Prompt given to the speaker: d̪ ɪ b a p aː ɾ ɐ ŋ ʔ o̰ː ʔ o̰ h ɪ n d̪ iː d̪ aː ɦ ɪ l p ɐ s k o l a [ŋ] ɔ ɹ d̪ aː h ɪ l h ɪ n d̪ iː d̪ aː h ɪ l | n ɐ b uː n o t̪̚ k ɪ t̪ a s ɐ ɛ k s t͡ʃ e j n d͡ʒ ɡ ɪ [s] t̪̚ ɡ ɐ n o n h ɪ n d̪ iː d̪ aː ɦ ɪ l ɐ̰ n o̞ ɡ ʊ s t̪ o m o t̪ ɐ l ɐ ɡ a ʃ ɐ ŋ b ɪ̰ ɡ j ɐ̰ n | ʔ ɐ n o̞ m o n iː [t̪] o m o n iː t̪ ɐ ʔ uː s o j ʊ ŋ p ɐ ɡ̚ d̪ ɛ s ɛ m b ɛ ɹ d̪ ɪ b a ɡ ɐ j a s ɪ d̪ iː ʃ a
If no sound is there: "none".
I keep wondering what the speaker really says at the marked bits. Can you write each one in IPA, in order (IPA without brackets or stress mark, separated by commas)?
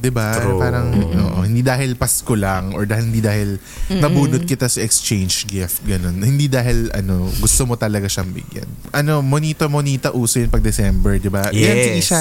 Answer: ŋ, f, t̪